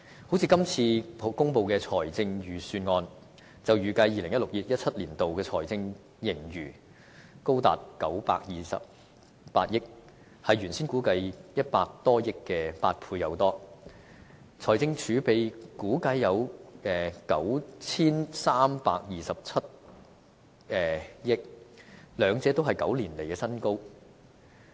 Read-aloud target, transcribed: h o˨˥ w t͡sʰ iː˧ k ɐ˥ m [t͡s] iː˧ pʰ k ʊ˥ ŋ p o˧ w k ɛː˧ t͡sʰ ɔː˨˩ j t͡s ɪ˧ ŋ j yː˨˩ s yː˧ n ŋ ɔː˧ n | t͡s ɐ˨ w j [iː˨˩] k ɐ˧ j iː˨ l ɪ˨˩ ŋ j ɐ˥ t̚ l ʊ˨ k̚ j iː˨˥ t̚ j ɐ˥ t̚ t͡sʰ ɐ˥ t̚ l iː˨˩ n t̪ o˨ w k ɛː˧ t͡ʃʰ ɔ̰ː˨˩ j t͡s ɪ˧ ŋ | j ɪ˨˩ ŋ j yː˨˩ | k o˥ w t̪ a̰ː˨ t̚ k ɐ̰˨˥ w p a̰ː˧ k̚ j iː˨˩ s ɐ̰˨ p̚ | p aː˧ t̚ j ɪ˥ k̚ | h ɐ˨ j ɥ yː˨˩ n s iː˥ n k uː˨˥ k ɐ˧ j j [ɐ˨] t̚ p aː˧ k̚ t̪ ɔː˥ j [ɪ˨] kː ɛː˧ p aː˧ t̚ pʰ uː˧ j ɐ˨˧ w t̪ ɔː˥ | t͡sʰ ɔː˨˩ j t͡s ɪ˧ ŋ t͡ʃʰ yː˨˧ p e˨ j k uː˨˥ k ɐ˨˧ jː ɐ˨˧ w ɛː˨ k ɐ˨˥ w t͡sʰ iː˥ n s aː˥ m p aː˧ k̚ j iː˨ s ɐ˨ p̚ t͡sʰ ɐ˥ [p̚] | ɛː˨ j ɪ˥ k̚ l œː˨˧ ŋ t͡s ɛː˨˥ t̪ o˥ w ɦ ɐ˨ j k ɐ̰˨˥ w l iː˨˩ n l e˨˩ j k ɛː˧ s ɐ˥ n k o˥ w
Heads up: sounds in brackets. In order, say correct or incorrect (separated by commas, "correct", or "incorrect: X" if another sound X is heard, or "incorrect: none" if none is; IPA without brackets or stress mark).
incorrect: t͡sʰ, incorrect: yː˨˩, incorrect: ɐ˥, incorrect: ɪ˥, incorrect: t̚